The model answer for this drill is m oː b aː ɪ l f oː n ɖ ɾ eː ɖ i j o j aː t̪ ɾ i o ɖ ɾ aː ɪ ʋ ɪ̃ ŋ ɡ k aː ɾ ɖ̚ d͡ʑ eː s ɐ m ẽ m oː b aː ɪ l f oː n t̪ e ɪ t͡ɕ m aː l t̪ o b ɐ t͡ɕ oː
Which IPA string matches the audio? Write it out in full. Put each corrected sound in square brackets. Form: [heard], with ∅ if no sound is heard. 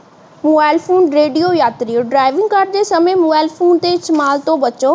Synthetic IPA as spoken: m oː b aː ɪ l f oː n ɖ ɾ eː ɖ i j o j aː t̪ ɾ i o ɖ ɾ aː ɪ ʋ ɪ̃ ŋ ɡ k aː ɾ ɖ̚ d͡ʑ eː s ɐ m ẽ m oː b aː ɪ l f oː n t̪ e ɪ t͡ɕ m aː l t̪ o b ɐ t͡ɕ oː